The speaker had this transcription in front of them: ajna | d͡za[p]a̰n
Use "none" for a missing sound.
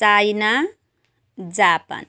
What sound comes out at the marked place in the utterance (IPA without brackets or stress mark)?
p